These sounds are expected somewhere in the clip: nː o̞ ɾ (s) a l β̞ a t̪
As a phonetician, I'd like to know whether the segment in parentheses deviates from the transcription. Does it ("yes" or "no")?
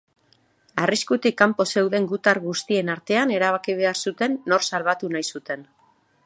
no